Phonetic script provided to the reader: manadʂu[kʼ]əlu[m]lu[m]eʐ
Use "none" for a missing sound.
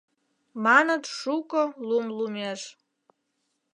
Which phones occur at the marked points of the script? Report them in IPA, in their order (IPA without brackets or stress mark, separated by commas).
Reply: kʼ, m, m